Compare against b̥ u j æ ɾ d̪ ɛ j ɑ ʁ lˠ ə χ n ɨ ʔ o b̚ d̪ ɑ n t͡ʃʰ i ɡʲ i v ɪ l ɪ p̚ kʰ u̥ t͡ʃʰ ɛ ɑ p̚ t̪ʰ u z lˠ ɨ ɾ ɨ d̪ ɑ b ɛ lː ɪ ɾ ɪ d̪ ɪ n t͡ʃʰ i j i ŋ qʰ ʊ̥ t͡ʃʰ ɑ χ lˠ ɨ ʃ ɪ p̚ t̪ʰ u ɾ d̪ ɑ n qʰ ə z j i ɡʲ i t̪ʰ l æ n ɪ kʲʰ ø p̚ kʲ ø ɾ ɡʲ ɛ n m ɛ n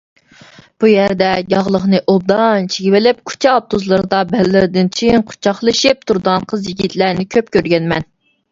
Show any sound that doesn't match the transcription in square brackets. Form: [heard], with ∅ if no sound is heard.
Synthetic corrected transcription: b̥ u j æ ɾ d̪ ɛ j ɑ ʁ lˠ ə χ n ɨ ʔ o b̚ d̪ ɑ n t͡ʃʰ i ɡʲ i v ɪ l ɪ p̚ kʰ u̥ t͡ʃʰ ɛ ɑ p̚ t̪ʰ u z lˠ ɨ ɾ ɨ d̪ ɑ b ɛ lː ɪ ɾ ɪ d̪ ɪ n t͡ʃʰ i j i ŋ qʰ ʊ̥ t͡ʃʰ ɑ χ lˠ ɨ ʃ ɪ p̚ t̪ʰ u ɾ d̪ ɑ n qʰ ə z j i ɡʲ i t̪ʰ l æ n ɪ kʲʰ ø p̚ kʲ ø ɾ ɡʲ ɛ n m ɛ n